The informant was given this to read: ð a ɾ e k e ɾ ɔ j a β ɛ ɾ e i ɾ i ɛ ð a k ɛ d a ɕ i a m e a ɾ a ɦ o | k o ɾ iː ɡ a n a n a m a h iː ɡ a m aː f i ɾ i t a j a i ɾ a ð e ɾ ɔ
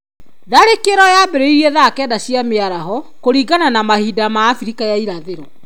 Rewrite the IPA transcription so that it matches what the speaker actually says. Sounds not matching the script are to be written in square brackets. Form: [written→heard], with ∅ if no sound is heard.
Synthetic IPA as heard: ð a ɾ e k e ɾ ɔ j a [β→b] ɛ ɾ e i ɾ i ɛ ð a k ɛ d a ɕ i a m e a ɾ a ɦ [o→ɔ] | k o ɾ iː ɡ a n a n a m a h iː [ɡ→d] a m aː f i ɾ i [t→k] a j a i ɾ a ð e ɾ ɔ